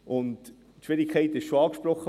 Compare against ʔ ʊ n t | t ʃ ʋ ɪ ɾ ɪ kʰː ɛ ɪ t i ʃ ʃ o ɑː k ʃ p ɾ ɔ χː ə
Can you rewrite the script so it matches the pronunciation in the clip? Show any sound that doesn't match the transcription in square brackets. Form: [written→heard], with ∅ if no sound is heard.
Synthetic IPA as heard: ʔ ʊ n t | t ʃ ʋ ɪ ɾ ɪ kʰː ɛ ɪ t [i→ɪ] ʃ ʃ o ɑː k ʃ p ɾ ɔ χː ə

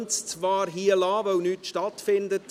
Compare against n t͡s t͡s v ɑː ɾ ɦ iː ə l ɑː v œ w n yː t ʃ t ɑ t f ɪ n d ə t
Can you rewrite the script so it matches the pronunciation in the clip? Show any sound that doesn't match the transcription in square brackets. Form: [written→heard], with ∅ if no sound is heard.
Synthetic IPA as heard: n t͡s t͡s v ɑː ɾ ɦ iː ə l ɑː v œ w n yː t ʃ t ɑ t f ɪ n d ə t

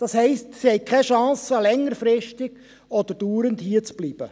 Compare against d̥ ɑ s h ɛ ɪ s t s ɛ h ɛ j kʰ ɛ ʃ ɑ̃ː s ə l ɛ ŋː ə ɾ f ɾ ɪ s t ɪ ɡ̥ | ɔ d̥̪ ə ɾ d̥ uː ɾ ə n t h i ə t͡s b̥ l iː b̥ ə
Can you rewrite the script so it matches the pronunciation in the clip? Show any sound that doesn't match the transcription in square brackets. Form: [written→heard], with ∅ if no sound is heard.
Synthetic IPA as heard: d̥ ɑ s h ɛ ɪ s t s [ɛ→i] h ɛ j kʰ ɛ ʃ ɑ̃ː s ə l ɛ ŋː ə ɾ f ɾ ɪ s t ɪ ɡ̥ | ɔ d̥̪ ə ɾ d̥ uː ɾ ə n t h i ə t͡s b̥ l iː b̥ ə

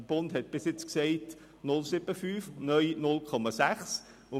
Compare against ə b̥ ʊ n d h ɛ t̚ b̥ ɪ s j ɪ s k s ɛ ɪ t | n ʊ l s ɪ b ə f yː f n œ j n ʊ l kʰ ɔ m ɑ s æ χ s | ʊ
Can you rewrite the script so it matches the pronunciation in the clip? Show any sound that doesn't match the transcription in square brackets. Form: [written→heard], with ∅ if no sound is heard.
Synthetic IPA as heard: ə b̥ ʊ n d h ɛ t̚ b̥ ɪ s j ɪ [s→t͡s] k s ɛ ɪ t | n ʊ l s ɪ b ə f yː f n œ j n ʊ l kʰ ɔ m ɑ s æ χ s | ʊ

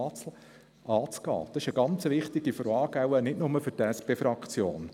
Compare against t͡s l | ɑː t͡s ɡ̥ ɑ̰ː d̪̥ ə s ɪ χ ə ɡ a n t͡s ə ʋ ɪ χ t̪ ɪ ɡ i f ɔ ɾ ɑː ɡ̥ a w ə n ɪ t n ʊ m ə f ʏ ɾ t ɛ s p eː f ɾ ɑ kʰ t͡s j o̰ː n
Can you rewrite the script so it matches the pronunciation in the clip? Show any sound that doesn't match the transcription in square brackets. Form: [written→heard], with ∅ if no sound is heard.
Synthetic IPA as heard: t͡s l | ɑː t͡s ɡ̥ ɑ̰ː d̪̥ [ə→ɑ] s ɪ [χ→ʃ] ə ɡ [a→ɑ] n t͡s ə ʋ ɪ χ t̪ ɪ ɡ i f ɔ ɾ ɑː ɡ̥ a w ə n ɪ t n ʊ m ə f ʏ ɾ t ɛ s p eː f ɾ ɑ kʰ t͡s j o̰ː n

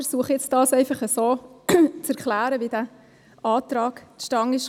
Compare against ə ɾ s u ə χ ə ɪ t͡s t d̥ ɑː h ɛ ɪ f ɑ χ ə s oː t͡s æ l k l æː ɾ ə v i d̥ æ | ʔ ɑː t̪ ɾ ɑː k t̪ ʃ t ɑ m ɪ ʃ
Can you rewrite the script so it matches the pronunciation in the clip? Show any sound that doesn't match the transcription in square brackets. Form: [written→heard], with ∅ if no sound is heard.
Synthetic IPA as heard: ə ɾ s u ə χ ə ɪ t͡s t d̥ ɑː [h→s] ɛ ɪ f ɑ χ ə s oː t͡s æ [l→ɾ] k l æː ɾ ə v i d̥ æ | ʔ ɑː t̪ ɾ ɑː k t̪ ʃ t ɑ [m→ŋ] ɪ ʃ

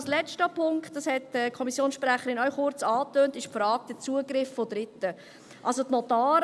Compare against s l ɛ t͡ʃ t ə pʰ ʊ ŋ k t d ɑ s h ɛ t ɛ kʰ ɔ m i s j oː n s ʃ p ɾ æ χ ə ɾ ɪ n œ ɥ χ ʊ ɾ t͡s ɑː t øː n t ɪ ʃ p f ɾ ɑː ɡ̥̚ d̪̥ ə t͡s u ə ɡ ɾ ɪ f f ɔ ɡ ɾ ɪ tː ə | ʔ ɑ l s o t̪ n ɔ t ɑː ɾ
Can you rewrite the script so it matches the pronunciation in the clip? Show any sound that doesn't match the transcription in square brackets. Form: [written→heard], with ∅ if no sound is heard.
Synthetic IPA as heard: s l ɛ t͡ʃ t ə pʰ ʊ ŋ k t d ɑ s h ɛ t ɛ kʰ ɔ m i s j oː n s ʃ p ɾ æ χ ə ɾ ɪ n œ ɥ χ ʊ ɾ t͡s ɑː t øː n t ɪ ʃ p f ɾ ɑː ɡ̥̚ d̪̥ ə t͡s u ə ɡ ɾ ɪ f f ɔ [ɡ→d] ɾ ɪ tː ə | ʔ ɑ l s o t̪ n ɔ t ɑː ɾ

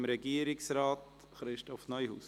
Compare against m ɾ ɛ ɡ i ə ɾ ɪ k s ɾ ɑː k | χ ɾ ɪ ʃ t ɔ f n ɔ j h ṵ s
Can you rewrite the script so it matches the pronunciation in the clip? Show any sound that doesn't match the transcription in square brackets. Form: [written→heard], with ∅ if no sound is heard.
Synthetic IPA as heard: m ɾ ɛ ɡ i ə ɾ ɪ k s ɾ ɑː [k→t] | χ ɾ ɪ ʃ t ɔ f n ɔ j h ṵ s

